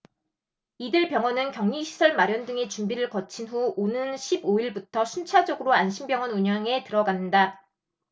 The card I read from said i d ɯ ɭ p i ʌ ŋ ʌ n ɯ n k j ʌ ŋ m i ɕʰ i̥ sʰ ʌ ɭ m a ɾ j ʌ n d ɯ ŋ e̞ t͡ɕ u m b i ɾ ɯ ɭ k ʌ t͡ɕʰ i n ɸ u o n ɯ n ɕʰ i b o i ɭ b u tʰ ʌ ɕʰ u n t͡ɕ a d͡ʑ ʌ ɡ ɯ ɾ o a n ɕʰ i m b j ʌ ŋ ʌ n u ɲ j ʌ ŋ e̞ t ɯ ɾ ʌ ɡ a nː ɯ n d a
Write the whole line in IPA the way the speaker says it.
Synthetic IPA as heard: i d ɯ ɭ p j ʌ ŋ ʌ n ɯ n k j ʌ ŋ ɲ i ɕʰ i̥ sʰ ʌ ɭ m a ɾ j ʌ n d ɯ ŋ e̞ t͡ɕ u m b i ɾ ɯ ɭ k ʌ t͡ɕʰ i n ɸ u o n ɯ n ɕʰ i b o i ɭ b u tʰ ʌ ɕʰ u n t͡ɕʰ a d͡ʑ ʌ ɡ ɯ ɾ o a n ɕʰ i m b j ʌ ŋ ʌ n u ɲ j ʌ ŋ e̞ t ɯ ɾ ʌ ɡ a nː ɯ n d a